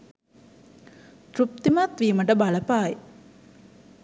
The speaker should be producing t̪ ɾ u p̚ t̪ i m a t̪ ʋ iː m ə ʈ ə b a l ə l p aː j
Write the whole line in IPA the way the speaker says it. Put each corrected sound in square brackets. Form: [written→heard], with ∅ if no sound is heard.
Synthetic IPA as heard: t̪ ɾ u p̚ t̪ i m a t̪ ʋ iː m ə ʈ ə b a l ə [l→∅] p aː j